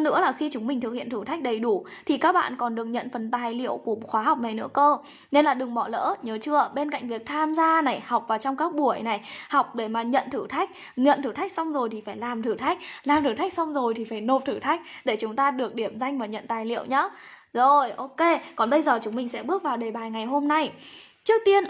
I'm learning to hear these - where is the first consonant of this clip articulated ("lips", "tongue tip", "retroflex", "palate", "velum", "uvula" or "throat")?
tongue tip